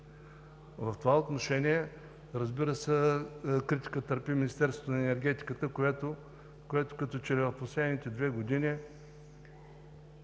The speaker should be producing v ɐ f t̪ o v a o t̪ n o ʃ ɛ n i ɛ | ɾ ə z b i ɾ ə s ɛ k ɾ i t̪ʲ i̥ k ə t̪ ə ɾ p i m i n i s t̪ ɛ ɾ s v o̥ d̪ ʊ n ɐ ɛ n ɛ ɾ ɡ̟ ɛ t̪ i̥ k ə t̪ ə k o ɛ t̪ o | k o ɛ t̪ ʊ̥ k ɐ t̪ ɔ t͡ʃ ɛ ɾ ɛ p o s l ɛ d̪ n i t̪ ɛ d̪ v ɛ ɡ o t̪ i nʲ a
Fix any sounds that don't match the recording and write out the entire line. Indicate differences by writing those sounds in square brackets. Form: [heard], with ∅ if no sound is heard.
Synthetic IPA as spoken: v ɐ f t̪ o v a o t̪ n o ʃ ɛ n i ɛ | ɾ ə z b i ɾ ə s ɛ k ɾ i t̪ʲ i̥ k ə t̪ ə ɾ p i m i n i s t̪ ɛ ɾ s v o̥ [t̪] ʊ n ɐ ɛ n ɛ ɾ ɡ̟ ɛ t̪ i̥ k ə t̪ ə k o ɛ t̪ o | k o ɛ t̪ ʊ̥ k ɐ t̪ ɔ t͡ʃ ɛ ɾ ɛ p o s l ɛ d̪ n i t̪ ɛ d̪ v ɛ ɡ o [d̪] i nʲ [i]